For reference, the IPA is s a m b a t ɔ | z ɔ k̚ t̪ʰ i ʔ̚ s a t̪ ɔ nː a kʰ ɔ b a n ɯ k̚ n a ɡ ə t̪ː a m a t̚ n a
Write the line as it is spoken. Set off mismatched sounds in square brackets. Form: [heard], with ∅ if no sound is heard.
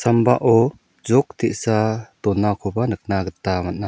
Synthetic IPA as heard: s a m b a [ʔ] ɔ | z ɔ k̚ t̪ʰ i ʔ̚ s a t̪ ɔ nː a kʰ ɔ b a n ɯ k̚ n a ɡ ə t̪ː a m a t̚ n a